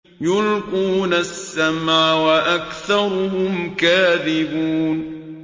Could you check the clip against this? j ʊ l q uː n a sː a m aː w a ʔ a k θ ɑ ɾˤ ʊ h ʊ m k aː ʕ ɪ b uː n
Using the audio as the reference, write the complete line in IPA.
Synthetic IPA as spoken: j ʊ l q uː n a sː a m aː w a ʔ a k θ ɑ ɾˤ ʊ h ʊ m k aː ð ɪ b uː n

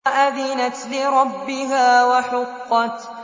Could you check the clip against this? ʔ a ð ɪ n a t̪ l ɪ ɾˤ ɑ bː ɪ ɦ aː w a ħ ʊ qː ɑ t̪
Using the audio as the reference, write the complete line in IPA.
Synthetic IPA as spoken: ʔ a ð ɪ n a t̪ l ɪ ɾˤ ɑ bː ɪ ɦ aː w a ħ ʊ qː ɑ t̪

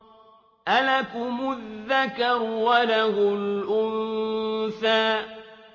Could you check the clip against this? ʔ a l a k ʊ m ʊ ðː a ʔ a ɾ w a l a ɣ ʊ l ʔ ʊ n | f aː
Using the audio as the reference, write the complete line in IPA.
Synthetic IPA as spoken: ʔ a l a k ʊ m ʊ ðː a k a ɾ w a l a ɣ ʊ l ʔ ʊ n | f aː

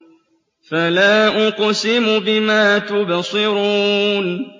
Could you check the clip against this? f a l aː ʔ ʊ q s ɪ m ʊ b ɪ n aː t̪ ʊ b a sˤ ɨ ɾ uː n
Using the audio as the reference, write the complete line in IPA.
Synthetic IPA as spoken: f a l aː ʔ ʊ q s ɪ m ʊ b ɪ m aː t̪ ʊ b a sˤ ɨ ɾ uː n

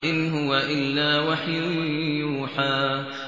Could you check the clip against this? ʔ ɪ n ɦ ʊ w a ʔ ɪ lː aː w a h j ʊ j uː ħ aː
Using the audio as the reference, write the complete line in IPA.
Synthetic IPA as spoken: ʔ ɪ n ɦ ʊ w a ʔ ɪ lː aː w a ħ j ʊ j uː ħ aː

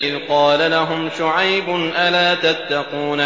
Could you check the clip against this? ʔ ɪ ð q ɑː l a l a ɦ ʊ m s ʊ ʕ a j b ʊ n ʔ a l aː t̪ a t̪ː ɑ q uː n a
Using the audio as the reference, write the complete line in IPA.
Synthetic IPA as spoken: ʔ ɪ ð q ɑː l a l a ɦ ʊ m ʃ ʊ ʕ a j b ʊ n ʔ a l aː t̪ a t̪ː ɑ q uː n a

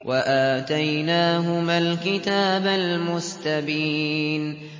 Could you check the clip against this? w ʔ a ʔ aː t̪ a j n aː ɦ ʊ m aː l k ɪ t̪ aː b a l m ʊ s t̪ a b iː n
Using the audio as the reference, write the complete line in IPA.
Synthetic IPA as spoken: w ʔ a ʔ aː t̪ a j n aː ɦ ʊ m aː l k ɪ t̪ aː b a l m ʊ s t̪ a b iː n

